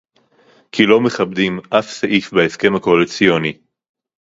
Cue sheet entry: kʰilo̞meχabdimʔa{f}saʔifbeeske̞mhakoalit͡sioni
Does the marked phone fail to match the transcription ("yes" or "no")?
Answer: no